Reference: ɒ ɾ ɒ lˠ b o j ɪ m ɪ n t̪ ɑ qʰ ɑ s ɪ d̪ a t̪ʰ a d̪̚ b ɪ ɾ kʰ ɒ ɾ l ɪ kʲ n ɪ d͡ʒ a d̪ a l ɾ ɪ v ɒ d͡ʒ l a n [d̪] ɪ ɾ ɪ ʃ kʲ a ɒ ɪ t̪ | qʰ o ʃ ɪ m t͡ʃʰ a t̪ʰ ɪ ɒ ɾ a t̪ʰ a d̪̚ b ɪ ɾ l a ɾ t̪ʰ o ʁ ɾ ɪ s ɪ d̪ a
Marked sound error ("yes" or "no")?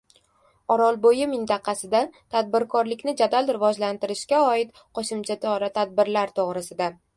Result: yes